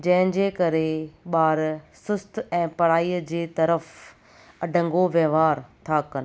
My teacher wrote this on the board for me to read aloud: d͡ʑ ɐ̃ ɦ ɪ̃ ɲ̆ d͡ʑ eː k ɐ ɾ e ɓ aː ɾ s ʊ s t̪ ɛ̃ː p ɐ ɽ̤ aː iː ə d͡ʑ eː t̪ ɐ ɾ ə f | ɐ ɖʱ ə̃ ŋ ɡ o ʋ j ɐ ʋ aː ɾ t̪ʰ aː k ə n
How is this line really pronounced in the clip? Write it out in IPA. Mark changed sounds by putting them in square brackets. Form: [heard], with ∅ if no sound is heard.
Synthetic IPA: d͡ʑ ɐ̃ ɦ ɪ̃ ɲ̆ d͡ʑ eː k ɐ ɾ e ɓ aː ɾ s ʊ s t̪ ɛ̃ː p ɐ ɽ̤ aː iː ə d͡ʑ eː t̪ ɐ ɾ ə f | ɐ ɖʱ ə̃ ŋ ɡ o ʋ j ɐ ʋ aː ɾ t̪ʰ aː k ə n